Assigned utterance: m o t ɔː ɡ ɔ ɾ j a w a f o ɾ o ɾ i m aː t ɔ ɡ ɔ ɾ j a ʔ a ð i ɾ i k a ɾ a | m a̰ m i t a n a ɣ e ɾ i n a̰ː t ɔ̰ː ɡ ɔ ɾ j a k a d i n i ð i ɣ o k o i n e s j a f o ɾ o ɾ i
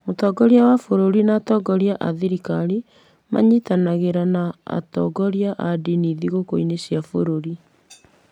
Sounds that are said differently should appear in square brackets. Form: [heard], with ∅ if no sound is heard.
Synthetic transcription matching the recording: m o t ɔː ɡ ɔ ɾ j a w a f o ɾ o ɾ i [n] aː t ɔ ɡ ɔ ɾ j a ʔ a ð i ɾ i k a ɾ [i] | m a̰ [ɲ] i t a n a ɣ e ɾ [a] n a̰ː t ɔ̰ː ɡ ɔ ɾ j a [ʔ] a d i n i ð i ɣ o k o i n e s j a f o ɾ o ɾ i